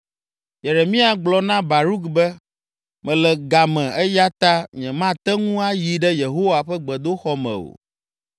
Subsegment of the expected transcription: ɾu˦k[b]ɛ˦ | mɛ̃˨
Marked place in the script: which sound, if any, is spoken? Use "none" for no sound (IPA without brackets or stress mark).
b